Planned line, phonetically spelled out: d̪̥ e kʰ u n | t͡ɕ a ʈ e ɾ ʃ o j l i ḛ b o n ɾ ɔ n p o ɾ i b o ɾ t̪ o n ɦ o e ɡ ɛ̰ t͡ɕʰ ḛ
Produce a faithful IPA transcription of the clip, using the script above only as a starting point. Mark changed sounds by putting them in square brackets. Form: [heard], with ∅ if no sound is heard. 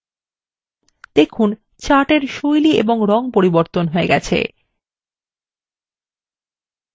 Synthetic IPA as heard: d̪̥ e kʰ u n | t͡ɕ a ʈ e ɾ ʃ o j l i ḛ b o [ŋ] ɾ ɔ [ŋ] p o ɾ i b o ɾ t̪ o n ɦ o e ɡ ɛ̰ t͡ɕʰ ḛ